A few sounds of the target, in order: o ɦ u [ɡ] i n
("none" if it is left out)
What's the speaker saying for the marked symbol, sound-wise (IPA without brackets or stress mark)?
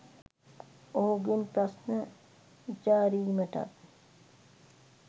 ɡ